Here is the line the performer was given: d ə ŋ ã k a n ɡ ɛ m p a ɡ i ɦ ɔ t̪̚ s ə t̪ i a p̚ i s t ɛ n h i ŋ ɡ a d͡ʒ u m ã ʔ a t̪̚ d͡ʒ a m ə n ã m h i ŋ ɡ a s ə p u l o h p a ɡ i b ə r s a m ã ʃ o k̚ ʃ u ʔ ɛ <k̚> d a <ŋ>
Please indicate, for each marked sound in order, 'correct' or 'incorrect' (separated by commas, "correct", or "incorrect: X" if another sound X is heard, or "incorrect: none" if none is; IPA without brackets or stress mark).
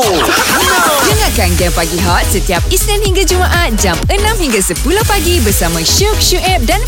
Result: incorrect: p̚, incorrect: n